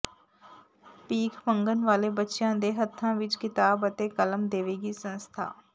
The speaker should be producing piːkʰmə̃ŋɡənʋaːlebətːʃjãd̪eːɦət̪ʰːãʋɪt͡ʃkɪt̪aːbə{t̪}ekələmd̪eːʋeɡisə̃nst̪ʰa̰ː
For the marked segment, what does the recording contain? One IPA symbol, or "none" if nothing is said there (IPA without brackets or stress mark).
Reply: t̪